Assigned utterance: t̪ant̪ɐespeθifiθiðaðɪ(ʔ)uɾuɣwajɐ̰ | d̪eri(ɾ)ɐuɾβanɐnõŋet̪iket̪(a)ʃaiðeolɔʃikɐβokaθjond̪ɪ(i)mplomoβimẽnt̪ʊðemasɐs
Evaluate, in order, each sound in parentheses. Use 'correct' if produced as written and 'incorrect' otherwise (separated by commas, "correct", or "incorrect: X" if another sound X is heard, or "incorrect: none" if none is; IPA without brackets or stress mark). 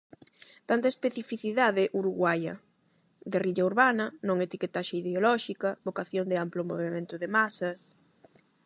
correct, incorrect: ʎ, correct, incorrect: a